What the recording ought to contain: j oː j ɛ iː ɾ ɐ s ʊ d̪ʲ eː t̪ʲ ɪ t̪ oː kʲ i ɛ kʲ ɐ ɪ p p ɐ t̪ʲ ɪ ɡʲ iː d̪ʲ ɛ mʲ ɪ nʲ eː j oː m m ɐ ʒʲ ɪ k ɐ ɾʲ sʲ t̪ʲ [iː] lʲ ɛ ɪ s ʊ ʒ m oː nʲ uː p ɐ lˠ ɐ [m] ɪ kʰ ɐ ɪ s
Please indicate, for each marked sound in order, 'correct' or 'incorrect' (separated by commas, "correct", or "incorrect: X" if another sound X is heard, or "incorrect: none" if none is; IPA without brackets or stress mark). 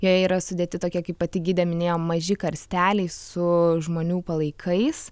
incorrect: æː, incorrect: none